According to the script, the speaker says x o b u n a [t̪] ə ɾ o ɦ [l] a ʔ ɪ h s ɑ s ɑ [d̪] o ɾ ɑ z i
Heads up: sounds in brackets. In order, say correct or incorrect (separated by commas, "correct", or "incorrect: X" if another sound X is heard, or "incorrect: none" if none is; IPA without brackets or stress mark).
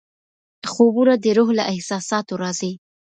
incorrect: d̪, correct, incorrect: t̪